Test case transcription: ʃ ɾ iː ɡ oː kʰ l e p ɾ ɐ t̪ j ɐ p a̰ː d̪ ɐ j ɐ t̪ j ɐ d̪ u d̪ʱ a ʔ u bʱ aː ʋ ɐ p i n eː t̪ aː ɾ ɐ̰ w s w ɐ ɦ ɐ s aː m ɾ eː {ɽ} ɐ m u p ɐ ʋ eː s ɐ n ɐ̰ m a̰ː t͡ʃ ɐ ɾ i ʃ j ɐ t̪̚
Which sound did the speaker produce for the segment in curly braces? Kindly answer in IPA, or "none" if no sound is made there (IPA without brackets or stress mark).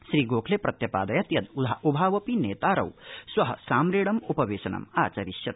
ɽ